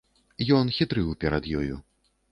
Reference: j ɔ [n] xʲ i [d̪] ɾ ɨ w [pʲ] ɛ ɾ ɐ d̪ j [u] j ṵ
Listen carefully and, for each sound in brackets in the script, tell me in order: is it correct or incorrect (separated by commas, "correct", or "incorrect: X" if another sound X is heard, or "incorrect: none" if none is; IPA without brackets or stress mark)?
correct, incorrect: t̪, correct, incorrect: ɔ